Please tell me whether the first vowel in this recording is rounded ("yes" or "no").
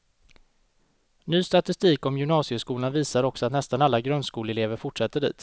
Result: yes